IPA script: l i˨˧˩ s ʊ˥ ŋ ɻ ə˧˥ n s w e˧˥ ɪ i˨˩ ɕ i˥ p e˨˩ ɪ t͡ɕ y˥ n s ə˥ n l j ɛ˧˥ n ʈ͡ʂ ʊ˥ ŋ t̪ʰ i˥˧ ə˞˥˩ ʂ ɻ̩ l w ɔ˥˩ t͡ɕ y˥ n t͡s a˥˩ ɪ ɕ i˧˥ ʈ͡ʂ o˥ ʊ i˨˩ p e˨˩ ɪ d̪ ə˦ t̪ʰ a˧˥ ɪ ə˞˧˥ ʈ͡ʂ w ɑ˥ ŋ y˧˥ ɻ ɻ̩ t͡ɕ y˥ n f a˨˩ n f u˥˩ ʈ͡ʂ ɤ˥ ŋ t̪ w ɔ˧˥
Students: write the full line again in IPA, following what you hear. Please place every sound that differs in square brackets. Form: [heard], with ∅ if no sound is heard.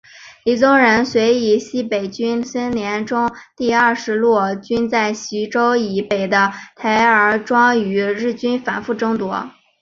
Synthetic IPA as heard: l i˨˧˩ [t͡s] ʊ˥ ŋ ɻ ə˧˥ n s w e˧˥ ɪ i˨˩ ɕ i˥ p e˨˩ ɪ t͡ɕ y˥ n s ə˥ n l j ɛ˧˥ n ʈ͡ʂ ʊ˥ ŋ [t̪] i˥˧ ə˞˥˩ ʂ ɻ̩ l w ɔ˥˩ t͡ɕ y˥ n t͡s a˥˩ ɪ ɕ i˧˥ ʈ͡ʂ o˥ ʊ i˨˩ p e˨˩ ɪ d̪ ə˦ t̪ʰ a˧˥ ɪ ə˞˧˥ ʈ͡ʂ w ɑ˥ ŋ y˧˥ ɻ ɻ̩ t͡ɕ y˥ n f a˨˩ n f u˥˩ ʈ͡ʂ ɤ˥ ŋ t̪ w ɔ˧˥

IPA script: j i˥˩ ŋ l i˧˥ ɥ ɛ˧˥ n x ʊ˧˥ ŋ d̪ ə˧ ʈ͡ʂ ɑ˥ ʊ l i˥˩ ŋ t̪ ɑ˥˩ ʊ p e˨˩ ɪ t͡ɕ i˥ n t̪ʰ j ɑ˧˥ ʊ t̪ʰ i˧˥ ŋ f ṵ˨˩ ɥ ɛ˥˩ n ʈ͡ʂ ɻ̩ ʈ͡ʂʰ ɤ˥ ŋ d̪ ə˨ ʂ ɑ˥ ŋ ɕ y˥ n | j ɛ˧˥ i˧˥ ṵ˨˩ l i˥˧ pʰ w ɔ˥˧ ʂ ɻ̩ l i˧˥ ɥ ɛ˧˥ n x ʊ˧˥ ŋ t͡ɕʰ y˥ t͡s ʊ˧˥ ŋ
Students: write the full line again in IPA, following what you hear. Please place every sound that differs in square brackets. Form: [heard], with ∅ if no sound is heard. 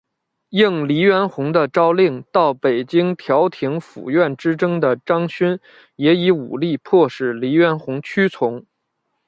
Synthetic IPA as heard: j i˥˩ ŋ l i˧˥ ɥ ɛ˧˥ n x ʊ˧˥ ŋ d̪ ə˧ ʈ͡ʂ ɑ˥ ʊ l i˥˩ ŋ t̪ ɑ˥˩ ʊ p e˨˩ ɪ t͡ɕ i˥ [ŋ] t̪ʰ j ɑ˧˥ ʊ t̪ʰ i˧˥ ŋ f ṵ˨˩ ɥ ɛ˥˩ n ʈ͡ʂ ɻ̩ [ʈ͡ʂ] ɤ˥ ŋ d̪ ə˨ [ʈ͡ʂ] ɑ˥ ŋ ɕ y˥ n | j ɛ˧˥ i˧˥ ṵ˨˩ l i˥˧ pʰ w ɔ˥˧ ʂ ɻ̩ l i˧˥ ɥ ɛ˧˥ n x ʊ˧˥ ŋ t͡ɕʰ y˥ [t͡sʰ] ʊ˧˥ ŋ

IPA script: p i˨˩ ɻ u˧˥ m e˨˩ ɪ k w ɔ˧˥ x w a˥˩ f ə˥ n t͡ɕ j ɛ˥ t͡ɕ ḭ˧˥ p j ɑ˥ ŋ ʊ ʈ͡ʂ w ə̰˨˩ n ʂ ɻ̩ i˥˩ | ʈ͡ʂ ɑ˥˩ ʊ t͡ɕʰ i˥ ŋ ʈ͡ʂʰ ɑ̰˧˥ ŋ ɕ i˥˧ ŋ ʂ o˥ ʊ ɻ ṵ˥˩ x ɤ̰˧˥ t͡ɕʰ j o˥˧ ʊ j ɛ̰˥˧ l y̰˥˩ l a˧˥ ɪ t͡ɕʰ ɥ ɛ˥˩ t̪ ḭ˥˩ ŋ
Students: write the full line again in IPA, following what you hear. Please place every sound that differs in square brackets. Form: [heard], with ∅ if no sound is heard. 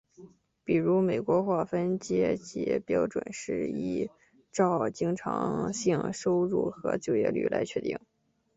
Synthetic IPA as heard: p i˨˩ ɻ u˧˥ m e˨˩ ɪ k w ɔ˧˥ x w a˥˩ f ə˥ n t͡ɕ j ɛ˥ t͡ɕ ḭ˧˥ p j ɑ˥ [∅] ʊ ʈ͡ʂ w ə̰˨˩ n ʂ ɻ̩ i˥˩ | ʈ͡ʂ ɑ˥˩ ʊ [t͡ɕ] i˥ ŋ ʈ͡ʂʰ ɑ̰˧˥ ŋ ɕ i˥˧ ŋ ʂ o˥ ʊ ɻ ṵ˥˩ x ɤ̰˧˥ [t͡ɕ] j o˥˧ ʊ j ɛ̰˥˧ l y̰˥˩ l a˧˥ ɪ t͡ɕʰ ɥ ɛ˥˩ t̪ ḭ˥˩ ŋ

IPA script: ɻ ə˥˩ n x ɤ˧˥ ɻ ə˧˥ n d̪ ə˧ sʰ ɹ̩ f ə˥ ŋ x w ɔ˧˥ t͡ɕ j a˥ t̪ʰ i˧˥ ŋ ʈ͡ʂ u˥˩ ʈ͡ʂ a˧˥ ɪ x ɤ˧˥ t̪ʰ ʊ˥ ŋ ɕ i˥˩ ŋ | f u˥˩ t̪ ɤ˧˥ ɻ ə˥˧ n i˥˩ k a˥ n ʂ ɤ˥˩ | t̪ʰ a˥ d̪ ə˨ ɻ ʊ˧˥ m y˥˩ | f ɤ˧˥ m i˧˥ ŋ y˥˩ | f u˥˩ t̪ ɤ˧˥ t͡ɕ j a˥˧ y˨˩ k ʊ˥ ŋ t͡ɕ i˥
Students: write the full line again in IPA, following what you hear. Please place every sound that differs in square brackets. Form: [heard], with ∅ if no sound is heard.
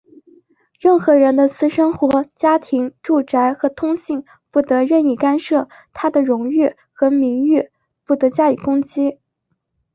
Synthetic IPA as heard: ɻ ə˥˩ n x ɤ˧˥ ɻ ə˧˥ n d̪ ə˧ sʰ ɹ̩ [ʂ] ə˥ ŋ x w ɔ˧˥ t͡ɕ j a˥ t̪ʰ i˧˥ ŋ ʈ͡ʂ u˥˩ ʈ͡ʂ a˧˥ ɪ x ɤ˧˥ t̪ʰ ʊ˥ ŋ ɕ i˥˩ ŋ | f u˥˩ t̪ ɤ˧˥ ɻ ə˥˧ n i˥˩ k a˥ n ʂ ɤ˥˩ | t̪ʰ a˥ d̪ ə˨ ɻ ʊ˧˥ [ŋ] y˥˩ | [x] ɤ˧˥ m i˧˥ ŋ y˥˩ | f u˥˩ t̪ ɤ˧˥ t͡ɕ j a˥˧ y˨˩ k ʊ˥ ŋ t͡ɕ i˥

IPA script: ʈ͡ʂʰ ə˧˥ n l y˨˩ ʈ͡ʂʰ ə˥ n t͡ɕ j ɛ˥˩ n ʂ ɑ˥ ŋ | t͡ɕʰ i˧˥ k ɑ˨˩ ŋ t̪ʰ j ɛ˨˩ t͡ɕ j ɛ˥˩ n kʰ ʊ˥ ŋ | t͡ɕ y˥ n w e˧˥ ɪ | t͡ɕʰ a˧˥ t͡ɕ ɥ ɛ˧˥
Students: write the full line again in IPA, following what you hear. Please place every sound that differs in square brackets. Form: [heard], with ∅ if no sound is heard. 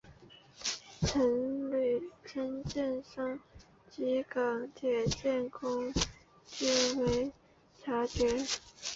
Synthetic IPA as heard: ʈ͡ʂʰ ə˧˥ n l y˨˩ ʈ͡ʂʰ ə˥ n t͡ɕ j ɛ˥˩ n ʂ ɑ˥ ŋ | [t͡ɕ] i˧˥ k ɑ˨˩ ŋ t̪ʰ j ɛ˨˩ t͡ɕ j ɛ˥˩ n kʰ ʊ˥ ŋ | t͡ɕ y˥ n w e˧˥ ɪ | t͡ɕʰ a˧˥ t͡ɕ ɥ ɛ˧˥

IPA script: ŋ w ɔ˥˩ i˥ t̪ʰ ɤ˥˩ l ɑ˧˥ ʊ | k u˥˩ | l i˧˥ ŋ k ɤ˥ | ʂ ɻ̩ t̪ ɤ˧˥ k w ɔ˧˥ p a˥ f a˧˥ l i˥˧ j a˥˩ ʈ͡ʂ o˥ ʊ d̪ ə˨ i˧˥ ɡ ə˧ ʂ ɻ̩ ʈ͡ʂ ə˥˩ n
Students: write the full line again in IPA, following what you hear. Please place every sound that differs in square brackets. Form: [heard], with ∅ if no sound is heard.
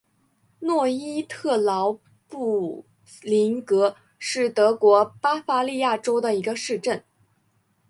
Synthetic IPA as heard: [n] w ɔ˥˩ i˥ t̪ʰ ɤ˥˩ l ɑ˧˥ ʊ | [p] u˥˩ | l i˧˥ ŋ k [ɤ˧˥] | ʂ ɻ̩ t̪ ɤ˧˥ k w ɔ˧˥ p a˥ f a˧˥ l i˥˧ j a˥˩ ʈ͡ʂ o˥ ʊ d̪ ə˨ i˧˥ ɡ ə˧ ʂ ɻ̩ ʈ͡ʂ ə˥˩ n

